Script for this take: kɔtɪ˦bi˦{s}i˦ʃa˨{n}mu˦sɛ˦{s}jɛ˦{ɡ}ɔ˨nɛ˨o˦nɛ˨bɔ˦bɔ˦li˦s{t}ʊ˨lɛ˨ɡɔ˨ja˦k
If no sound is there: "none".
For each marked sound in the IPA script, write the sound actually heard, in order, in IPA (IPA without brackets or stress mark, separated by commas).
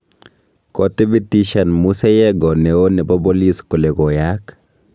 t, n, none, ɡ, k